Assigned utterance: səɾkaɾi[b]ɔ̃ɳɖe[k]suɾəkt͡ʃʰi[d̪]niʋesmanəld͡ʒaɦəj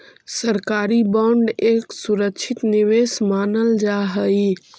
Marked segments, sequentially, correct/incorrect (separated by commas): correct, correct, incorrect